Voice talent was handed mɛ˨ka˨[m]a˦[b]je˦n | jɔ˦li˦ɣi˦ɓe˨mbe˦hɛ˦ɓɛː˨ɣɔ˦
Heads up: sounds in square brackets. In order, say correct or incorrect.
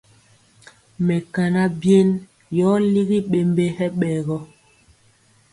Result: incorrect, correct

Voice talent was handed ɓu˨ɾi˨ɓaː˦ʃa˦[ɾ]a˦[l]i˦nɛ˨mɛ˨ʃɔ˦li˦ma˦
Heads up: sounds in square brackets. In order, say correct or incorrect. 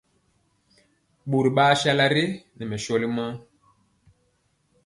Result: incorrect, incorrect

